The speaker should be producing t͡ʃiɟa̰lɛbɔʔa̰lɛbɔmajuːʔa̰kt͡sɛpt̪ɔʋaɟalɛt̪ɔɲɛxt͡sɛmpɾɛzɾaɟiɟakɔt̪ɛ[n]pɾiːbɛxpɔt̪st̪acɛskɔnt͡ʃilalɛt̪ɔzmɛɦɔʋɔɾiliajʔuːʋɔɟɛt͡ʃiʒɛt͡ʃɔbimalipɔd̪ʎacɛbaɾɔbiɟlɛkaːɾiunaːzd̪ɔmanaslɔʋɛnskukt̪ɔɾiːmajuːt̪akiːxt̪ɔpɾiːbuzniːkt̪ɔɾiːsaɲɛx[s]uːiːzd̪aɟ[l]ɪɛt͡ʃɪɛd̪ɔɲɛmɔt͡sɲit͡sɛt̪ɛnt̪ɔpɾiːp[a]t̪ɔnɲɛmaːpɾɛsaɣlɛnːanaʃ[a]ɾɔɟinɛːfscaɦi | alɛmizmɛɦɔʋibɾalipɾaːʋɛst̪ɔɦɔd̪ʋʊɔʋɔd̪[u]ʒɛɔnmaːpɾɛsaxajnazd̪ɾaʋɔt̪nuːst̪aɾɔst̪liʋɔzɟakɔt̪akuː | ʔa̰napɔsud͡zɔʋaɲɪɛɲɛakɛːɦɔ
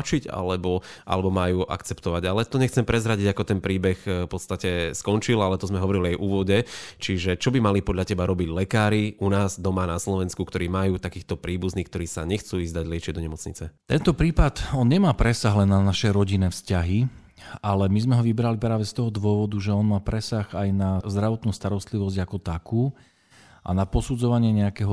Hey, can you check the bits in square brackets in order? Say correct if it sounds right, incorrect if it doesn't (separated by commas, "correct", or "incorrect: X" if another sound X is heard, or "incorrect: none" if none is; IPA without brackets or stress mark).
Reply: correct, incorrect: t͡s, correct, correct, incorrect: ɛ, correct